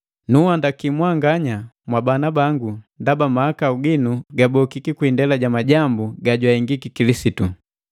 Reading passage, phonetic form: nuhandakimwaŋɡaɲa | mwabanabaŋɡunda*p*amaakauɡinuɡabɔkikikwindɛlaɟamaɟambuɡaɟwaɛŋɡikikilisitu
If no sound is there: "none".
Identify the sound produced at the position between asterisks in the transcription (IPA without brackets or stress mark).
b